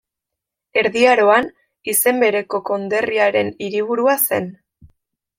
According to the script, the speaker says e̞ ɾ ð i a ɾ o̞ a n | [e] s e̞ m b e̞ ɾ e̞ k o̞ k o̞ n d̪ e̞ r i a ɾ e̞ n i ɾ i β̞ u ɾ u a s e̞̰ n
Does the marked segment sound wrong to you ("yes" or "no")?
yes